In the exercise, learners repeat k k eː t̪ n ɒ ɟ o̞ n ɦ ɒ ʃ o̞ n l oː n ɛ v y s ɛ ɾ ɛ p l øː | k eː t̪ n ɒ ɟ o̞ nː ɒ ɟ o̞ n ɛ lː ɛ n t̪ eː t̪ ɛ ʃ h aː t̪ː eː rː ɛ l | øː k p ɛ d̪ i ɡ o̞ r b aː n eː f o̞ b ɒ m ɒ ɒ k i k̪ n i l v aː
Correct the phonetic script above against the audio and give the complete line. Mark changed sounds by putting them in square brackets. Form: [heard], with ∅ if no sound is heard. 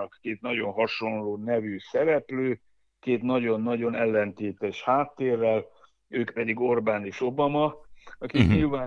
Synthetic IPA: k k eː t̪ n ɒ ɟ o̞ n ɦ ɒ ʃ o̞ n l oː n ɛ v y s ɛ ɾ ɛ p l øː | k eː t̪ n ɒ ɟ o̞ nː ɒ ɟ o̞ n ɛ lː ɛ n t̪ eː t̪ ɛ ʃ h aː t̪ː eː rː ɛ l | øː k p ɛ d̪ i ɡ o̞ r b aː n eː [ʃ] o̞ b ɒ m ɒ ɒ k i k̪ [ɲ] i l v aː